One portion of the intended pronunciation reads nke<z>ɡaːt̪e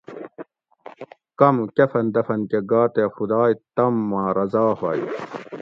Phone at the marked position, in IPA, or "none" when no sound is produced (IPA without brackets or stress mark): none